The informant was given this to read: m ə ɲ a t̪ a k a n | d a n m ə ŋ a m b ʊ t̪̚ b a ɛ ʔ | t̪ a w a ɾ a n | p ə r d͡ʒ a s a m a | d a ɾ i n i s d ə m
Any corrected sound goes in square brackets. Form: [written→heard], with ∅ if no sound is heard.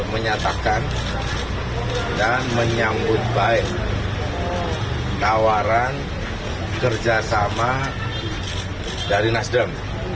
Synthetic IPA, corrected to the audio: m ə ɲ a t̪ a k a n | d a n m ə [ŋ→ɲ] a m b ʊ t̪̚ b a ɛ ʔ | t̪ a w a ɾ a n | [p→k] ə r d͡ʒ a s a m a | d a ɾ i n [i→a] s d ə m